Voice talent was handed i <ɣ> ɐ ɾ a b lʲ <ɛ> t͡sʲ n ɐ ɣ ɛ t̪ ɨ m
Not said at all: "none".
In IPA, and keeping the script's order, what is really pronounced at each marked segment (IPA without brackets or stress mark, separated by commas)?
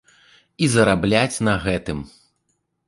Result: z, a